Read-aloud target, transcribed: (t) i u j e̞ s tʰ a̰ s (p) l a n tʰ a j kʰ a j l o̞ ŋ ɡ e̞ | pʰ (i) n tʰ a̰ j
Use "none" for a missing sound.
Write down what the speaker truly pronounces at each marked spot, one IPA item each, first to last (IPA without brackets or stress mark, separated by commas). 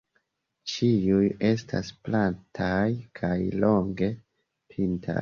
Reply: t͡ʃ, p, i